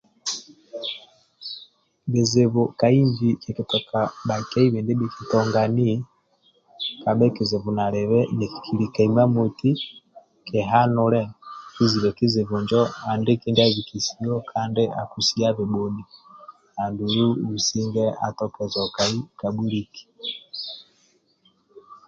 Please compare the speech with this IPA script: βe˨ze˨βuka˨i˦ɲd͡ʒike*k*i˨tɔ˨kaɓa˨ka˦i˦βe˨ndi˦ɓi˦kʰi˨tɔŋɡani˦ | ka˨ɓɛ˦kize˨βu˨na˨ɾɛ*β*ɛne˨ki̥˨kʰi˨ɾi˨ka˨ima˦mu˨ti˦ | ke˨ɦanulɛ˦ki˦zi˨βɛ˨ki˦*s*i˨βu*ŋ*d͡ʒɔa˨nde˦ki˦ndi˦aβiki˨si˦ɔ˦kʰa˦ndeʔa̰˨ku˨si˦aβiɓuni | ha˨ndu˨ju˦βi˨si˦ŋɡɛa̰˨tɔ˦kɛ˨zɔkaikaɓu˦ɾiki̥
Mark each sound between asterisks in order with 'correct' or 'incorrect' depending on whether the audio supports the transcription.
correct, correct, incorrect: z, incorrect: ɲ

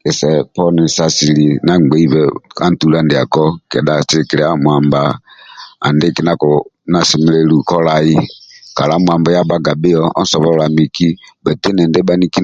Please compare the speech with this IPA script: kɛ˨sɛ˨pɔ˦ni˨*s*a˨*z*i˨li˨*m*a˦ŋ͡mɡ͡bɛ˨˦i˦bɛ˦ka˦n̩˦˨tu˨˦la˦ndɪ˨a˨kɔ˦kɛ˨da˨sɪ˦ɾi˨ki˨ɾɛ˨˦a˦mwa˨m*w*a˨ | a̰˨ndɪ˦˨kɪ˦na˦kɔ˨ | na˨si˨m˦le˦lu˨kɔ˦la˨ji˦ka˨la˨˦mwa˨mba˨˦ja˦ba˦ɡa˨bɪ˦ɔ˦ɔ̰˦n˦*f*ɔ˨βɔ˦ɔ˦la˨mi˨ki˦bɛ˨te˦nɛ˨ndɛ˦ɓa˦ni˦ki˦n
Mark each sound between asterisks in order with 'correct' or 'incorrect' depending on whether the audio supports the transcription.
correct, incorrect: s, incorrect: n, incorrect: b, incorrect: s

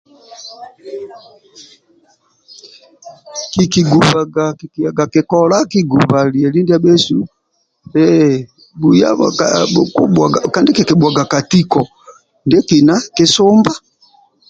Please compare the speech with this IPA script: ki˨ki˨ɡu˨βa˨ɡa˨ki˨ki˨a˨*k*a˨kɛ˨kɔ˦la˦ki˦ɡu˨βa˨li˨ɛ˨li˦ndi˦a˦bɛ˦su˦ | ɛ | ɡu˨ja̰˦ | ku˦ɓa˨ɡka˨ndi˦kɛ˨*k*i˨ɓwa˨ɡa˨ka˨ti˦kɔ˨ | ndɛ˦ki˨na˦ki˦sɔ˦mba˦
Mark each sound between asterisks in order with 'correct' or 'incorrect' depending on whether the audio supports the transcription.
incorrect: ɡ, correct

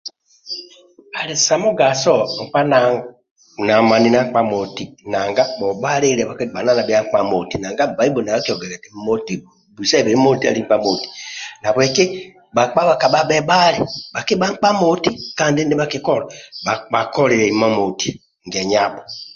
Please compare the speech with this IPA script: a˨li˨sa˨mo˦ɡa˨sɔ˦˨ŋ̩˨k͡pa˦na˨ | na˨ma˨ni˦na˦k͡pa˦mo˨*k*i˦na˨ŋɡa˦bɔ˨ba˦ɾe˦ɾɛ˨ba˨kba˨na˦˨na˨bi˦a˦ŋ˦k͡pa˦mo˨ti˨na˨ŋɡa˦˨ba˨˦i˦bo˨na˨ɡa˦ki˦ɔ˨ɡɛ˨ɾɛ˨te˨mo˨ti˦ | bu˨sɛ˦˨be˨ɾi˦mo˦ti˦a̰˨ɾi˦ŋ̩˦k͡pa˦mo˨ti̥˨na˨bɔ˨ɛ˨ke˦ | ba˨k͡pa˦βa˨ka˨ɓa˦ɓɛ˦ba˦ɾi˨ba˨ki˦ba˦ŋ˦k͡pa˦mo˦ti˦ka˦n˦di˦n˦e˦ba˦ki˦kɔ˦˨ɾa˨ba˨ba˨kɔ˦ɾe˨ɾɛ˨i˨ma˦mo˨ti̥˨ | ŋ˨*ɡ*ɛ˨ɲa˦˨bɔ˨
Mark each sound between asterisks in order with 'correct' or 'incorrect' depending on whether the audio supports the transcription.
incorrect: t, correct

